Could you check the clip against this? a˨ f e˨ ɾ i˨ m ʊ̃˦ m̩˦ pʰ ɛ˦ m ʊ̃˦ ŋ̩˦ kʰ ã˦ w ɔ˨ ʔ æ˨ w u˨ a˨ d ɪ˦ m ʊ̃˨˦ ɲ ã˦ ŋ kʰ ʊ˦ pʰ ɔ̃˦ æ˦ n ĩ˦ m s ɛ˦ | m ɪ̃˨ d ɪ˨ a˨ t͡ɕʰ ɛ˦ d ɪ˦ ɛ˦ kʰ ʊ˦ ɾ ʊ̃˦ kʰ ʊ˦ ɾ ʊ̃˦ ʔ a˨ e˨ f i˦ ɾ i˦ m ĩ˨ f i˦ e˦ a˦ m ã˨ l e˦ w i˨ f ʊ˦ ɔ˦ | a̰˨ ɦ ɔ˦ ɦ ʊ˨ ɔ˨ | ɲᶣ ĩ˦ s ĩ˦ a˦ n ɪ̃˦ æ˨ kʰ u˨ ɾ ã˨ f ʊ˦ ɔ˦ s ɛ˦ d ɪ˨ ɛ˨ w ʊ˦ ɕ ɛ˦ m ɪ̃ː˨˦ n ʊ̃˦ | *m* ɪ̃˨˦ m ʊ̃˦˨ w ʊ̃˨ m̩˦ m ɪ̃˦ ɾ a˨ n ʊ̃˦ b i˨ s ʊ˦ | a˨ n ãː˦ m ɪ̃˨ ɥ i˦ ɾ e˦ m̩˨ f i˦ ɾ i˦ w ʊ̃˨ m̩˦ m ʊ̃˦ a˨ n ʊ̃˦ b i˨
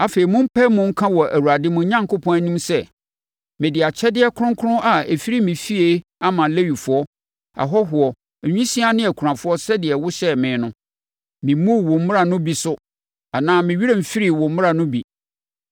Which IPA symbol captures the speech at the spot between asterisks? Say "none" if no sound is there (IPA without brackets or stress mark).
m